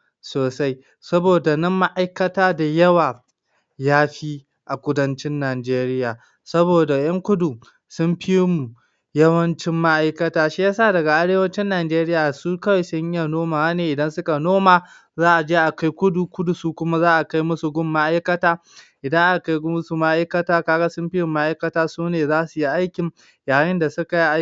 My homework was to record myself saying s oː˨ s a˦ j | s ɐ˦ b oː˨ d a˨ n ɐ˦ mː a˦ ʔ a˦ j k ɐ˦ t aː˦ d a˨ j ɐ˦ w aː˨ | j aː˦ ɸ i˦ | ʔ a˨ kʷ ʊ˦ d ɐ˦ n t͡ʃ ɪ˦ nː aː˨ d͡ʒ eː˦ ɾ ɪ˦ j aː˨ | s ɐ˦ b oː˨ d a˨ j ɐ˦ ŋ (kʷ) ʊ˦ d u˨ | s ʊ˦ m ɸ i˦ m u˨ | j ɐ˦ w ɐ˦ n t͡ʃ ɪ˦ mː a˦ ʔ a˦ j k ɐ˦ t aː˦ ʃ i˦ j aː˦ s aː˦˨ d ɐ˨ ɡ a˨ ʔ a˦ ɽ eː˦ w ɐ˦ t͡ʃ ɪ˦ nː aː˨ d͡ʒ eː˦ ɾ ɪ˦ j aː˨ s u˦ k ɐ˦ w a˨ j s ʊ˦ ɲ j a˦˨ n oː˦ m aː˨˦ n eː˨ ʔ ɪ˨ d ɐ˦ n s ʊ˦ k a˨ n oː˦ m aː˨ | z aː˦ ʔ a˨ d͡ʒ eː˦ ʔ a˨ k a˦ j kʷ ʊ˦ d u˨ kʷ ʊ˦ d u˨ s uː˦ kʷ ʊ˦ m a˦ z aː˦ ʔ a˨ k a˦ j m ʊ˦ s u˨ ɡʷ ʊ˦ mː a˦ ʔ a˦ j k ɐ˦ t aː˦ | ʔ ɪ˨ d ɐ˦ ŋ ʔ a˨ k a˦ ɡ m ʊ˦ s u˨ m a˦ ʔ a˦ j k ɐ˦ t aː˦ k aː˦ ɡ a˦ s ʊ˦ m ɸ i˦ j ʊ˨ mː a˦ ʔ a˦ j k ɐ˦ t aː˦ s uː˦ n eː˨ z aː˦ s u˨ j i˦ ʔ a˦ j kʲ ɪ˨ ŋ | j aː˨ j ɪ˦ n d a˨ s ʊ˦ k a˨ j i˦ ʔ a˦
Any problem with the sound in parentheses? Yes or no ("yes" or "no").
no